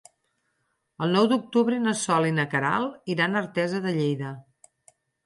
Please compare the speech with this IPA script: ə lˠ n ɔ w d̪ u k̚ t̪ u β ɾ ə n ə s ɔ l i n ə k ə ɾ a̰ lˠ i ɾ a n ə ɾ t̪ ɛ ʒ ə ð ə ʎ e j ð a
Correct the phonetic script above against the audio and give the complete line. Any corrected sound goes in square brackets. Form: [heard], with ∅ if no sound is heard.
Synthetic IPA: ə lˠ n ɔ w d̪ u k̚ t̪ u β ɾ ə n ə s ɔ l i n ə k ə ɾ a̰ lˠ i ɾ a n ə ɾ t̪ ɛ [z] ə ð ə ʎ e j ð [ə]